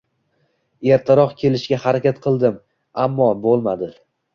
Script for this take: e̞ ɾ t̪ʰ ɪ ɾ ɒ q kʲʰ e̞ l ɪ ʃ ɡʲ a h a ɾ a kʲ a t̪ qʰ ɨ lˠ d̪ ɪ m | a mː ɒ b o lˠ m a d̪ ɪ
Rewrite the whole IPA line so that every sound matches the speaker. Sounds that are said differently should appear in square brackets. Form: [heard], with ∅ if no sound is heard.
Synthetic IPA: e̞ ɾ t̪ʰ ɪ ɾ ɒ q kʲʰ e̞ l ɪ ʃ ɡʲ a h a ɾ a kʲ a t̪ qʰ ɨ lˠ d̪ ɪ m | a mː ɒ b o lˠ m a d̪ ɪ